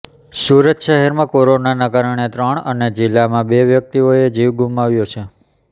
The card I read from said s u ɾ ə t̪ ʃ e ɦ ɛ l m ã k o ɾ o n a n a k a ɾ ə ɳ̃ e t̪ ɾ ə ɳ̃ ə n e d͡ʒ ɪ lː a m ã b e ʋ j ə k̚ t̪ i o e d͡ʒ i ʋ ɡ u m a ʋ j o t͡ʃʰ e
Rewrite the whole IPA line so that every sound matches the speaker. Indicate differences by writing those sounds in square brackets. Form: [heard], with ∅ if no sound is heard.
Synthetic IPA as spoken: s u ɾ ə t̪ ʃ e ɦ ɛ [ɾ] m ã k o ɾ o n a n a k a ɾ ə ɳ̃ e t̪ ɾ ə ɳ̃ ə n e d͡ʒ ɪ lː a m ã b e ʋ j ə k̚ t̪ i o e d͡ʒ i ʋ ɡ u m a ʋ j o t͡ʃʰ e